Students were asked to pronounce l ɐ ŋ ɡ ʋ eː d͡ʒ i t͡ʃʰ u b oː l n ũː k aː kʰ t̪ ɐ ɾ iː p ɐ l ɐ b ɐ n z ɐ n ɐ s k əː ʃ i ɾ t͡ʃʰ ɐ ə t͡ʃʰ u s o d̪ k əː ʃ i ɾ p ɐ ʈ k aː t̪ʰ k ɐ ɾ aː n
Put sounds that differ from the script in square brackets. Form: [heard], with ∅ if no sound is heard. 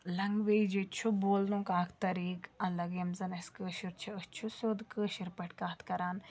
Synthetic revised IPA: l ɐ ŋ ɡ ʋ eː d͡ʒ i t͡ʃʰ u b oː l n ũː k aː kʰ t̪ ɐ ɾ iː [k] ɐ l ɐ [ɡ] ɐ [m] z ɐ n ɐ s k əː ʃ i ɾ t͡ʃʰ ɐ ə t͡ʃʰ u s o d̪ k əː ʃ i ɾ p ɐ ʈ k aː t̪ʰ k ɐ ɾ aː n